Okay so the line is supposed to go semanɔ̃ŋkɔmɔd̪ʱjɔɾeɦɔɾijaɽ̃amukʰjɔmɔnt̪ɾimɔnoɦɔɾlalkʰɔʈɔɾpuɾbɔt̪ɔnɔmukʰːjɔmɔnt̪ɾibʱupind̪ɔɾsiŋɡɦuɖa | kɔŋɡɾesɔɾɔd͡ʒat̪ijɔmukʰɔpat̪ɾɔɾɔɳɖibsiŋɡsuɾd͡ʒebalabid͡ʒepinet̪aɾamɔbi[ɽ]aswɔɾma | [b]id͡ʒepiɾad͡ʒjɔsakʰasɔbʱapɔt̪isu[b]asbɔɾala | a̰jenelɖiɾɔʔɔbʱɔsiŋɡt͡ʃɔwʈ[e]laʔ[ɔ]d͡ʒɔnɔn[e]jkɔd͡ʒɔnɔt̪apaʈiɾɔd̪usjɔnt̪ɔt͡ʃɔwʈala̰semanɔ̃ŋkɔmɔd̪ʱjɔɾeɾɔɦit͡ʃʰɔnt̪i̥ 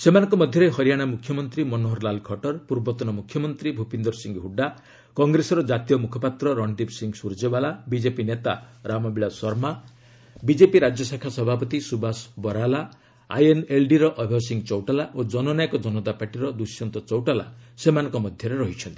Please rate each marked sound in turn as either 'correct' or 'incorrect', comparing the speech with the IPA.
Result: incorrect: ɭ, correct, correct, incorrect: a, incorrect: o, incorrect: a

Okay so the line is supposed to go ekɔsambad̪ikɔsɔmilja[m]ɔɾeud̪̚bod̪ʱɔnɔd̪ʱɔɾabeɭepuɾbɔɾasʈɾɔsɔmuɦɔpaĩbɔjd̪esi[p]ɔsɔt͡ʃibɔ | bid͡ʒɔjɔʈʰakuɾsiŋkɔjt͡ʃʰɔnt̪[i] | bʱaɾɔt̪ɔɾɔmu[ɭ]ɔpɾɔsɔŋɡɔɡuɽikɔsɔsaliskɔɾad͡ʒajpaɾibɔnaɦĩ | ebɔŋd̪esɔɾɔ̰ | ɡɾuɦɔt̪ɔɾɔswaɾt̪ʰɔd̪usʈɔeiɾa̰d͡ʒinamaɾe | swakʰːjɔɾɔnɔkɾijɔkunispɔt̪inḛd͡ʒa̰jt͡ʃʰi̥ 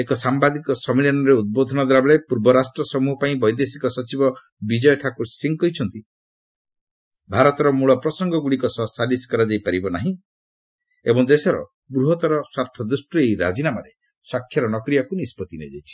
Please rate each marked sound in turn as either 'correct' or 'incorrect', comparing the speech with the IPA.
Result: incorrect: n, incorrect: k, correct, correct

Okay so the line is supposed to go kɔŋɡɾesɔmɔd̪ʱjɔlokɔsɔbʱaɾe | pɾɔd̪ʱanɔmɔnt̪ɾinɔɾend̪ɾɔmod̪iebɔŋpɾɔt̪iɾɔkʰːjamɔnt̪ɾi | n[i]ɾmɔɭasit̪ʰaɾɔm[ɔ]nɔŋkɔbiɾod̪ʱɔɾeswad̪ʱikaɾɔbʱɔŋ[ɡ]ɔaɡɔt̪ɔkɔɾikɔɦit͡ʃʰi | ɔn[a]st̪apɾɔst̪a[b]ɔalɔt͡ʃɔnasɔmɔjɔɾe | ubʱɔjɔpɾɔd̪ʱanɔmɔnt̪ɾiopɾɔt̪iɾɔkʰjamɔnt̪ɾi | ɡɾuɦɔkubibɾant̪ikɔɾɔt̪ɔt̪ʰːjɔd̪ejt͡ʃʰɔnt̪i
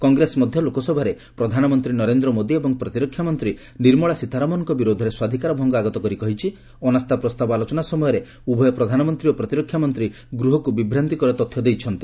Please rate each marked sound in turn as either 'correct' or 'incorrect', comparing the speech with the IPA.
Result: correct, correct, correct, correct, correct

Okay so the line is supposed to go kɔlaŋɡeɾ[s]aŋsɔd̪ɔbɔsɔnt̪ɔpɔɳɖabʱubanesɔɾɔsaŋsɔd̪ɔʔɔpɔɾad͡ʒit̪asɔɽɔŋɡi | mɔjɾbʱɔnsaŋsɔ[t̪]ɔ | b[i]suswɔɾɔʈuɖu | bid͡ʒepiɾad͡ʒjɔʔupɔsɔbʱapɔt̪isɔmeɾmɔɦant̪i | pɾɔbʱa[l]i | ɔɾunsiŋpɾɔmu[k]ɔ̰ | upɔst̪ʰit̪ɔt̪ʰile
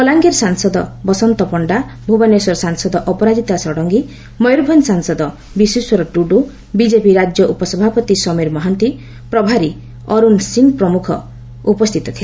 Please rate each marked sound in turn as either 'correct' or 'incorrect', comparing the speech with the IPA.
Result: correct, incorrect: d̪, correct, incorrect: ɾ, incorrect: kʰ

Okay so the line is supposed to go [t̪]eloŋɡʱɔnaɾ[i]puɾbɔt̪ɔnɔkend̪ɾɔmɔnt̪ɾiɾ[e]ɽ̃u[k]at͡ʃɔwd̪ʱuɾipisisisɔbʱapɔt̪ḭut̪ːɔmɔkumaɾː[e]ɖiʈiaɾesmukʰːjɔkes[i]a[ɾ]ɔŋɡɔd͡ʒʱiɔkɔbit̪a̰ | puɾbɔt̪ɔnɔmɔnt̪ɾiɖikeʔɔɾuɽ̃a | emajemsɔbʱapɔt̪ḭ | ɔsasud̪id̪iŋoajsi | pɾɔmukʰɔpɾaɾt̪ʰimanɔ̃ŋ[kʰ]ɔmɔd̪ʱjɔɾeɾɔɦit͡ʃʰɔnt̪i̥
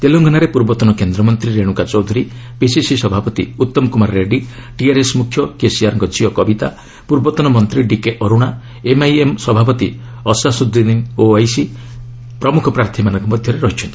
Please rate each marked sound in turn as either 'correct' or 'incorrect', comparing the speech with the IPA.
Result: correct, incorrect: e, correct, correct, correct, correct, correct, incorrect: k

